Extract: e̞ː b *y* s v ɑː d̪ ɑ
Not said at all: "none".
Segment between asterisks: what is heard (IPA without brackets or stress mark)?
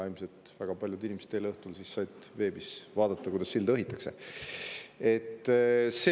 i